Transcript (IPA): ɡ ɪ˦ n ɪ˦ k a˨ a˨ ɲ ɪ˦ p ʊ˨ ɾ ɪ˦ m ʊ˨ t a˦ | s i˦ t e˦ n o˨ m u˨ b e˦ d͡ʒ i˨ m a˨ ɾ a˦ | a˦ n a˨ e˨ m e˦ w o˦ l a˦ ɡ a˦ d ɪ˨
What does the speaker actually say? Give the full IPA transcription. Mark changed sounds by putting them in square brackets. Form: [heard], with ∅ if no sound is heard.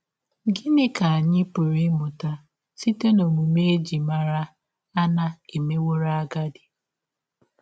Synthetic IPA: ɡ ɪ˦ n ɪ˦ k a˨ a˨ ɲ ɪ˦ p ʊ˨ ɾ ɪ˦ m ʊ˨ t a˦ | s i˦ t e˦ n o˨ m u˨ [m] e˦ d͡ʒ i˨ m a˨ ɾ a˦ | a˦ n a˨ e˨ m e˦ w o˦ [ɾ] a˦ ɡ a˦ d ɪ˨